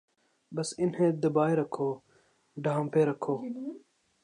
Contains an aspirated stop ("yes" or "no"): yes